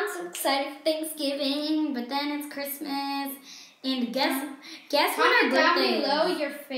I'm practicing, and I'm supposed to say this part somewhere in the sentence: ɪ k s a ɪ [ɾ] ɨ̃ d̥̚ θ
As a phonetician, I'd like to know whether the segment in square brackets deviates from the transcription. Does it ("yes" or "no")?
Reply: no